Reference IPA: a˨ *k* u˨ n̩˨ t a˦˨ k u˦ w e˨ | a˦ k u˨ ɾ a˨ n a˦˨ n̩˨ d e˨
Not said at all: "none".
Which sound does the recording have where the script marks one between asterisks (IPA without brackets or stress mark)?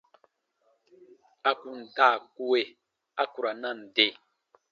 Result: k